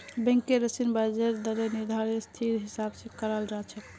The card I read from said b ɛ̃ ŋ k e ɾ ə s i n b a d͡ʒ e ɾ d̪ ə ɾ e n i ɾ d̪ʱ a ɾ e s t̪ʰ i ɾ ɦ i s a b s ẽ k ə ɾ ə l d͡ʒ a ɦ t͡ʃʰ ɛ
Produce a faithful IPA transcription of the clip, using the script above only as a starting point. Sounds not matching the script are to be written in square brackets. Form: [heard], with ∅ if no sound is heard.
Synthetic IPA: b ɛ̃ ŋ k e ɾ ə s i n b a d͡ʒ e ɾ d̪ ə ɾ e n i ɾ d̪ʱ a ɾ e s t̪ʰ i ɾ ɦ i s a b s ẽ k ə ɾ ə l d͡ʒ a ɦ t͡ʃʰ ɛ